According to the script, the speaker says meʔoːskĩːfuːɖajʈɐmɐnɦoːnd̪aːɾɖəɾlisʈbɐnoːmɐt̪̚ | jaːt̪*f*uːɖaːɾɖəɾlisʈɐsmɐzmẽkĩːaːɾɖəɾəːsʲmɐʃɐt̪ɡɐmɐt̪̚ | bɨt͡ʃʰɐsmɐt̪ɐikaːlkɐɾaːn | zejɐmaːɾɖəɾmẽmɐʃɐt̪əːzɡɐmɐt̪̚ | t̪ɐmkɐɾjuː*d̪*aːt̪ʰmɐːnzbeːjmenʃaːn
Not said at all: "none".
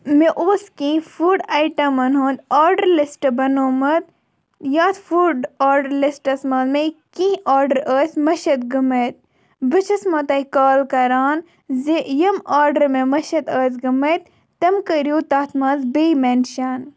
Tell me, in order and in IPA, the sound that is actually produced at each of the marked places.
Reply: f, t̪

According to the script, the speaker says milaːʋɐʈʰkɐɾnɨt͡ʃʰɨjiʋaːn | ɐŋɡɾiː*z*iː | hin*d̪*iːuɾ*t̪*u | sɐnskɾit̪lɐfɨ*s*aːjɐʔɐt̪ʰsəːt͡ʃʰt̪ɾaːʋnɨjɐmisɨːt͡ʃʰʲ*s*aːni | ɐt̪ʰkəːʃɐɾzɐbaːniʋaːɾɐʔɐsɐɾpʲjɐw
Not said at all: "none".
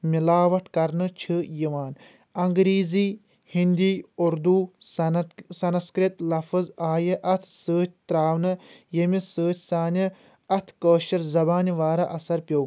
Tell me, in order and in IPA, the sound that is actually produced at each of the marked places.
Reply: z, d̪, d̪, z, s

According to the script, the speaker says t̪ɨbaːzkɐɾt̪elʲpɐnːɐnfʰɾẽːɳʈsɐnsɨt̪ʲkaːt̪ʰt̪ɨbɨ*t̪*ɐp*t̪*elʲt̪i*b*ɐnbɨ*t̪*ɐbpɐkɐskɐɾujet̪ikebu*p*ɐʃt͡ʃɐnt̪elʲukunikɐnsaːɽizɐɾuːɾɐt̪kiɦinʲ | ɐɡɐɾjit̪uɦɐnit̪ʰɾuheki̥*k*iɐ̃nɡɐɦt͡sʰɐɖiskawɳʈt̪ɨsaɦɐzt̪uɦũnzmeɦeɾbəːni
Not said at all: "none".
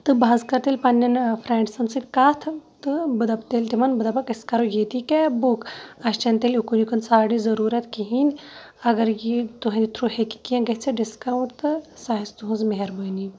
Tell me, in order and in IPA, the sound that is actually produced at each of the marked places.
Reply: d̪, t̪, m, d̪, k, k

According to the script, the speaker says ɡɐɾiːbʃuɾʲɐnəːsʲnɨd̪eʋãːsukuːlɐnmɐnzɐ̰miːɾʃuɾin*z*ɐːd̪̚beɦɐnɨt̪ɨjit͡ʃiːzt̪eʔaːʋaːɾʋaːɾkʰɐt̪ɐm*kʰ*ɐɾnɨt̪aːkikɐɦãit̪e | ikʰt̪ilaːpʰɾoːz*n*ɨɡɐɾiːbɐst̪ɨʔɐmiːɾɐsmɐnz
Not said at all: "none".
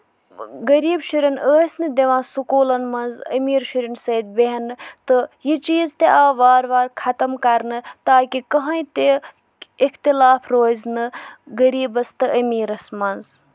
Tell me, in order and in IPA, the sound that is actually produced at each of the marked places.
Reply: s, k, n

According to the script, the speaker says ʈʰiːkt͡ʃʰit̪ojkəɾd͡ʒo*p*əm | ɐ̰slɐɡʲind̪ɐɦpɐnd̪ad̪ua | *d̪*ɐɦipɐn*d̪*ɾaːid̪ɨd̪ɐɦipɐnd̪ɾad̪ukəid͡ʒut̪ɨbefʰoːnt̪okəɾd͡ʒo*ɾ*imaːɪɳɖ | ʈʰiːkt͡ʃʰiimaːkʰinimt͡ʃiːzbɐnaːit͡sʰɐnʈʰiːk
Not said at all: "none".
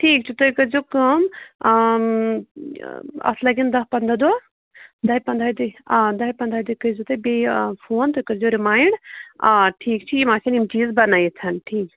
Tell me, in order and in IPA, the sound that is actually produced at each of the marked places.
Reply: k, d̪, d̪, ɾ

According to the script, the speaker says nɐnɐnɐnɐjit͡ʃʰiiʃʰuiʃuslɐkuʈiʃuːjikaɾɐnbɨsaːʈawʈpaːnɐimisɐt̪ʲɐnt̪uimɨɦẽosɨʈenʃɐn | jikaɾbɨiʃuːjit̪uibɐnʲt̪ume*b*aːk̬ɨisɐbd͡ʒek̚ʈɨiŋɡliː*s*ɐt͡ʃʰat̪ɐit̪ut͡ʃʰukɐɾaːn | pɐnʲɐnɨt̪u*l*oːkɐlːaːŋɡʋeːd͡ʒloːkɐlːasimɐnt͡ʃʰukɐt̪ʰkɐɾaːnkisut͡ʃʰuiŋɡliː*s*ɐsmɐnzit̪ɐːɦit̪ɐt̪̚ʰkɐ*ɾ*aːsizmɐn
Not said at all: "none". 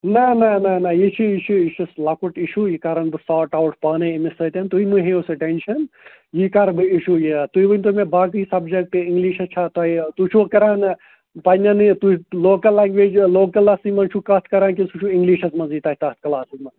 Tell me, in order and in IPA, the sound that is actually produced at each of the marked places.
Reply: b, ʃ, l, ʃ, l

